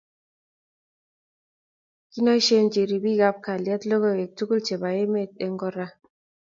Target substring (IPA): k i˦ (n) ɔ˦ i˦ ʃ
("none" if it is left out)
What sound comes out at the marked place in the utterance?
n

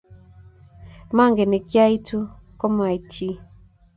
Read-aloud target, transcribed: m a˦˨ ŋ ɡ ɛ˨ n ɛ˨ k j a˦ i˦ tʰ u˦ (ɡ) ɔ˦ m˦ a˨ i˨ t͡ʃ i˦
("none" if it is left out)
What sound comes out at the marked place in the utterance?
k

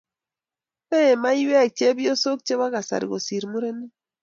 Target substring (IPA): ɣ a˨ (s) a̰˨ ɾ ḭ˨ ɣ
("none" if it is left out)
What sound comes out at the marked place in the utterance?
s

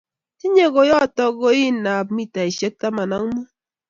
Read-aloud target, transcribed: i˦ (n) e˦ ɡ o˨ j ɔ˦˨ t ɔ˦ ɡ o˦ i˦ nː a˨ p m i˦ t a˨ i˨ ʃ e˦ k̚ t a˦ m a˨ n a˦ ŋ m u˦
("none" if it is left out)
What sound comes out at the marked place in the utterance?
ɲ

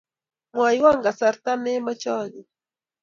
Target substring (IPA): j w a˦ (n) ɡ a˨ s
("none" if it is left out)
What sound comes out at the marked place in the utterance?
ŋ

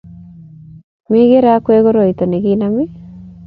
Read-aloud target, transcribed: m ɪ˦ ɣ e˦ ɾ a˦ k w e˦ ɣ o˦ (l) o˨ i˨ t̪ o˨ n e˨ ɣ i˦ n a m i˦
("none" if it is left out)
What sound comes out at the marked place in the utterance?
ɾ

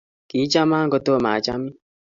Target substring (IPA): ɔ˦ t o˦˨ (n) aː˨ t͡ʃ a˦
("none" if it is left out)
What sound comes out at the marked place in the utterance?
m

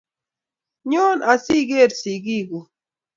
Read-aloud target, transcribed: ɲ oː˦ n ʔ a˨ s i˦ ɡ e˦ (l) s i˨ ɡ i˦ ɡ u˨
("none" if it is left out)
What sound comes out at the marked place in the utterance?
ɾ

